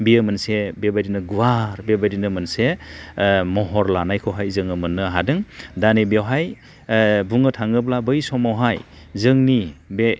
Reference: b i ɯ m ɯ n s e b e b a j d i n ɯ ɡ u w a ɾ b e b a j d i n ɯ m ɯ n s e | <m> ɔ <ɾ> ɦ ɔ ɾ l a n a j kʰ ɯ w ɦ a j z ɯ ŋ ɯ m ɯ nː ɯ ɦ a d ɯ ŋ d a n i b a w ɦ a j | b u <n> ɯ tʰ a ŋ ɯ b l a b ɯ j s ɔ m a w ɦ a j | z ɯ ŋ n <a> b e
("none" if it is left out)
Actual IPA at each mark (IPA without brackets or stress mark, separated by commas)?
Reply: m, none, ŋ, i